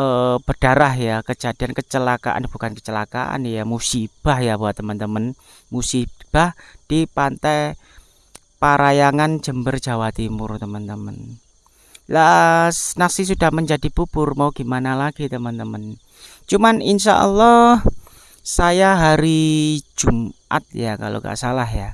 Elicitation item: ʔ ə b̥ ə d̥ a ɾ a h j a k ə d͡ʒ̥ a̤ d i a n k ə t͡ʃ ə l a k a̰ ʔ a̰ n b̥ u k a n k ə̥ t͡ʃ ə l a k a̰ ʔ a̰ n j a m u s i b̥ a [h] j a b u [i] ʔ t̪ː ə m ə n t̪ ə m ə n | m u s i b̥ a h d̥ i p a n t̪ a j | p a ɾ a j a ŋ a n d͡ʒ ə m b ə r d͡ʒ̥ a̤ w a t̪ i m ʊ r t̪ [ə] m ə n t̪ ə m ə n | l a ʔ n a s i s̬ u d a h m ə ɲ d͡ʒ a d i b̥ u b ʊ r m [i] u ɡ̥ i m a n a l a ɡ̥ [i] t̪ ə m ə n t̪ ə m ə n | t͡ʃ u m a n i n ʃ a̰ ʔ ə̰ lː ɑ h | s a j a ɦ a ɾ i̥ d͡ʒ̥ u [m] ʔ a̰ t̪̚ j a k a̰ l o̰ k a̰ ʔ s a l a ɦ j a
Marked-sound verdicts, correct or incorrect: correct, incorrect: a, correct, incorrect: a, correct, correct

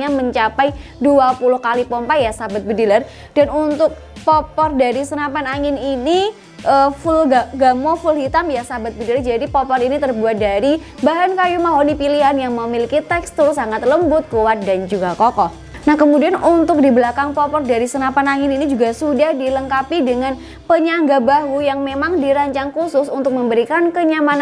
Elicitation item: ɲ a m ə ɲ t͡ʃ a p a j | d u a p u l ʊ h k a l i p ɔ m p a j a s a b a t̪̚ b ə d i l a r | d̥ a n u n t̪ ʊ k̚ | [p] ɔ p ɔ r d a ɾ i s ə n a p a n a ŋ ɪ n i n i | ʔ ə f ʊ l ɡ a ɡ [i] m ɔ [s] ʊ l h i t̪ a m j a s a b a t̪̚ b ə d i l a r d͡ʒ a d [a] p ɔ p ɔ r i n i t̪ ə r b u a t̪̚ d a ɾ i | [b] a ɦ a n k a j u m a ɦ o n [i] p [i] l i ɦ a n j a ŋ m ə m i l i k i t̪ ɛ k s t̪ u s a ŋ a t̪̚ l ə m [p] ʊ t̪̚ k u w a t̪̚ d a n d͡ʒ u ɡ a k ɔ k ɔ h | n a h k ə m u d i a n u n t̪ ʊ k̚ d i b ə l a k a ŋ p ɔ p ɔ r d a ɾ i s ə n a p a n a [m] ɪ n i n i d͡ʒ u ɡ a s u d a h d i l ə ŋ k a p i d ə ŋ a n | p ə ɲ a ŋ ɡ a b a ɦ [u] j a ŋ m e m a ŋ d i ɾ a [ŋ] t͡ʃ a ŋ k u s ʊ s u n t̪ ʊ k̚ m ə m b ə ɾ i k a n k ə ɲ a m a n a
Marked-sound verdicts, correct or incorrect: correct, incorrect: a, incorrect: f, incorrect: i, correct, correct, correct, incorrect: b, incorrect: ŋ, correct, incorrect: ɲ

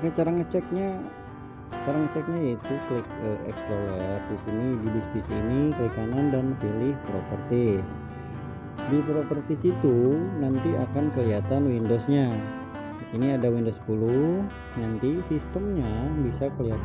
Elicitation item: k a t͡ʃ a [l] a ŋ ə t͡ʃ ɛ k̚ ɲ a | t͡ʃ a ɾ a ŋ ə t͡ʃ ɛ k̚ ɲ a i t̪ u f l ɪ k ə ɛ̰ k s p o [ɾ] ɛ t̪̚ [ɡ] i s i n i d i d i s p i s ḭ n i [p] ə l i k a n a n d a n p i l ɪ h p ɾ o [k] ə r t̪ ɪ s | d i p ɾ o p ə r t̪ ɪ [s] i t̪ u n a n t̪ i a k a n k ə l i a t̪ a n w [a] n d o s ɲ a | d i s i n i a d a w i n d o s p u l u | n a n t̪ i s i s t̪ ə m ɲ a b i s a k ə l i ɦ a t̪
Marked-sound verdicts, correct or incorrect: incorrect: ɾ, incorrect: l, incorrect: d, incorrect: k, incorrect: p, correct, incorrect: i

